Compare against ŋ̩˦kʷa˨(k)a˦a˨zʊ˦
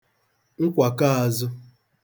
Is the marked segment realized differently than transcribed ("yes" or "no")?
no